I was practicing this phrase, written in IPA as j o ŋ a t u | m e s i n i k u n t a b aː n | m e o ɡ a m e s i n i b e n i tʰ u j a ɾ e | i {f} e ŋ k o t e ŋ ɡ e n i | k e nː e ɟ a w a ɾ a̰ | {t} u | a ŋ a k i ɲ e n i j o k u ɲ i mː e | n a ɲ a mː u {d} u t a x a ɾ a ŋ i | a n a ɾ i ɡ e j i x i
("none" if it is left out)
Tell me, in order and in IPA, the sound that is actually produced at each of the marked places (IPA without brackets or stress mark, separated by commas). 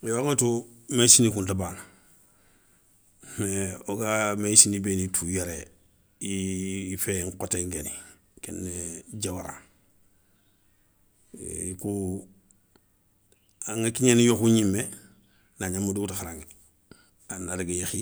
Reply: f, k, d